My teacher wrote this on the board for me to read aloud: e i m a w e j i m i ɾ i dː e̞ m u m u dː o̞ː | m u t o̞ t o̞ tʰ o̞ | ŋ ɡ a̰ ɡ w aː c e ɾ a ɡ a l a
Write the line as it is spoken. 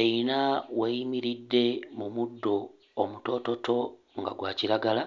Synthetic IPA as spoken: e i n a w e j i m i ɾ i dː e̞ m u m u dː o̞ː | m u t o̞ t o̞ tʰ o̞ | ŋ ɡ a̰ ɡ w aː c i ɾ a ɡ a l a